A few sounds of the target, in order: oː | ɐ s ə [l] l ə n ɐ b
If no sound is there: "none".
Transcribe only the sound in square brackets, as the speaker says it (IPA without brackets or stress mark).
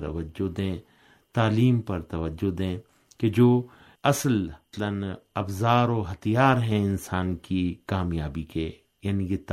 l